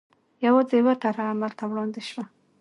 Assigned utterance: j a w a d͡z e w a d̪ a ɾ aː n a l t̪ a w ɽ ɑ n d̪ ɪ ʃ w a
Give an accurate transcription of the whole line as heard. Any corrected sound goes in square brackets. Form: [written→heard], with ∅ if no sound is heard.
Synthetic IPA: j a w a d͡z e w a [d̪→t̪] a ɾ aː [n→m] a l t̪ a w ɽ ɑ n d̪ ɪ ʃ w a